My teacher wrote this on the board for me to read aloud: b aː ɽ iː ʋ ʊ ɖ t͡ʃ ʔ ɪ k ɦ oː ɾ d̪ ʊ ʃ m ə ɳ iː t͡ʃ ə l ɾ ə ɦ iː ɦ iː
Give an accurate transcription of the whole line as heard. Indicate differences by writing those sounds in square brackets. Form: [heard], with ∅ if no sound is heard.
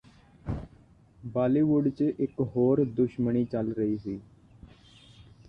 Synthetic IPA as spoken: b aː [l] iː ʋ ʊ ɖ t͡ʃ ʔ ɪ k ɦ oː ɾ d̪ ʊ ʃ m ə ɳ iː t͡ʃ ə l ɾ ə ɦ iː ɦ iː